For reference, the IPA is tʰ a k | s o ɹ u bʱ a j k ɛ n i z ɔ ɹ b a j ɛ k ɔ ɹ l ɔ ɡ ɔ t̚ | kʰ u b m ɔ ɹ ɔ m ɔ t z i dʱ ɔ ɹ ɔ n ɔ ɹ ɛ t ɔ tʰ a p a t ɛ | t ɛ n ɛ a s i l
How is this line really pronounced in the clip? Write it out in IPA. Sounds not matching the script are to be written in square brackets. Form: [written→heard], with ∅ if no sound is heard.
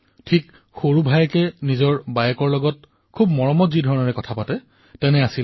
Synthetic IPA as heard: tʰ [a→i] k | [s→x] o ɹ u bʱ a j k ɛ n i z ɔ ɹ b a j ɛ k ɔ ɹ l ɔ ɡ ɔ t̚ | kʰ u b m ɔ ɹ ɔ m ɔ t z i dʱ ɔ ɹ ɔ n ɔ ɹ ɛ [t→k] ɔ tʰ a p a t ɛ | t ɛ n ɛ a s i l